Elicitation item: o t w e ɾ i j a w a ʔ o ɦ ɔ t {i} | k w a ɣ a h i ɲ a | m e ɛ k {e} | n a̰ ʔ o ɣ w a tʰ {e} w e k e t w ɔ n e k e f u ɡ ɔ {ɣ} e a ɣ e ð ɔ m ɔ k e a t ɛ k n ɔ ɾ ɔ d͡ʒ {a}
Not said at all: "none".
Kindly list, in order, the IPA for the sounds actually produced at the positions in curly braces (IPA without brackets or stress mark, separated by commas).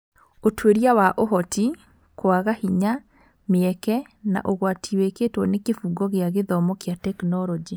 i, ɛ, i, ɣ, i